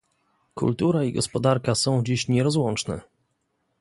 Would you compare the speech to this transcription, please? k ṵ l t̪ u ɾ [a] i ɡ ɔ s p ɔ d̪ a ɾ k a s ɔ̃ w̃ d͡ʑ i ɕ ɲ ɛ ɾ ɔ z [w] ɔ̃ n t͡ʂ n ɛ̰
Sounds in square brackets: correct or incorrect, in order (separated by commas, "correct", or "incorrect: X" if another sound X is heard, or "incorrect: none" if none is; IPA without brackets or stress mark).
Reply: correct, correct